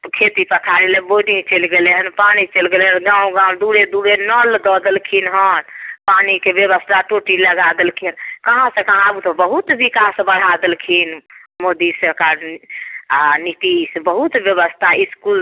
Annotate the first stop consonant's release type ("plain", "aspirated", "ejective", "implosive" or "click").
aspirated